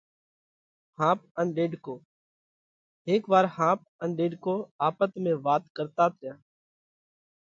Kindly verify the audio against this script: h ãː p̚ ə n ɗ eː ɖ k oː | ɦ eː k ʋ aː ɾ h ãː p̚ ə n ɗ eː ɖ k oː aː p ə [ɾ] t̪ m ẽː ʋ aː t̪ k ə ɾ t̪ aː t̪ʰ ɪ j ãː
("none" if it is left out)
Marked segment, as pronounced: none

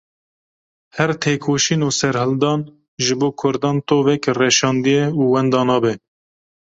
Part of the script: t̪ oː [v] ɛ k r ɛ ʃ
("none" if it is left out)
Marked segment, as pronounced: v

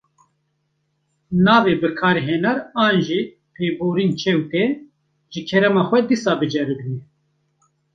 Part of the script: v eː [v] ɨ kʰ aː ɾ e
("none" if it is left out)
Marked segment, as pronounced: b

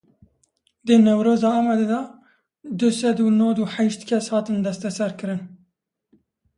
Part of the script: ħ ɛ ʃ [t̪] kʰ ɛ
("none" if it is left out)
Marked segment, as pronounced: t̪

